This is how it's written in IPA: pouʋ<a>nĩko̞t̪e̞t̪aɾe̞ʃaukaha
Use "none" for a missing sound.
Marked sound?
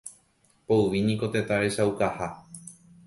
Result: i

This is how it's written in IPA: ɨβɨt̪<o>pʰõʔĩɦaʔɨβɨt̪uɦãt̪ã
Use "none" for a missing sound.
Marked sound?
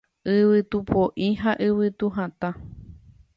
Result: u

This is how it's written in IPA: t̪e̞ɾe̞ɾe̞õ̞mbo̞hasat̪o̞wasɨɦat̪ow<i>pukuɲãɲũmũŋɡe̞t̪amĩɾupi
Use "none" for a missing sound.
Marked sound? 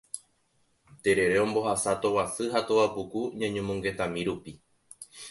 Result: a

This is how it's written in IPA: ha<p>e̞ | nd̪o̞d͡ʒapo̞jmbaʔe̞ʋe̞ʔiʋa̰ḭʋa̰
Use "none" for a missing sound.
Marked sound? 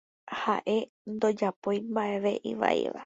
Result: ʔ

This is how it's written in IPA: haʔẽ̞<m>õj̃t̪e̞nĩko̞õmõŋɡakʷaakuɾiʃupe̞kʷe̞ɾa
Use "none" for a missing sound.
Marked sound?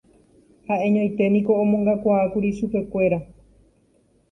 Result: ɲ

